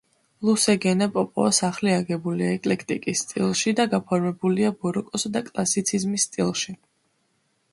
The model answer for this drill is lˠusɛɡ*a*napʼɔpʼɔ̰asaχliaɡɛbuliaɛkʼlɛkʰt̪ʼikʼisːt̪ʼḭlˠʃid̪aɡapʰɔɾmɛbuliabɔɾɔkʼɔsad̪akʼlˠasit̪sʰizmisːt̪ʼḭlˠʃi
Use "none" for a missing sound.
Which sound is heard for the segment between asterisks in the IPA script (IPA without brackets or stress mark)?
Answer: ɛ